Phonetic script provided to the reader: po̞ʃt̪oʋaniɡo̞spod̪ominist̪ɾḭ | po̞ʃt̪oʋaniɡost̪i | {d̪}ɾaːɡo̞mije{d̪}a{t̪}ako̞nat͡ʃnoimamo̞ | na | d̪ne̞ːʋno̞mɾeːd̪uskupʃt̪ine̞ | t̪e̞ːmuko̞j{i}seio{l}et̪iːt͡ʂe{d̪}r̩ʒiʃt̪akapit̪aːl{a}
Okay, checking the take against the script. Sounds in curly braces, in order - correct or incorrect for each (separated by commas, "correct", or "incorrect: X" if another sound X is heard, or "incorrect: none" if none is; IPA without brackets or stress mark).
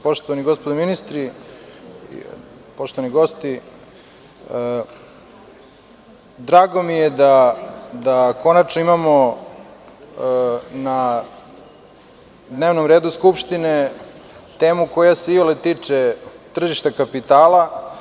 correct, correct, incorrect: d̪, incorrect: a, correct, incorrect: t̪, correct